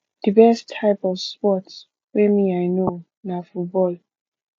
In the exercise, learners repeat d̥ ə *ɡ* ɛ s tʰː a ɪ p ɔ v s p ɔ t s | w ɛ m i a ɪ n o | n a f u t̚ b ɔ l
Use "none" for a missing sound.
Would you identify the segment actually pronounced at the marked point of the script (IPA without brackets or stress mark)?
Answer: b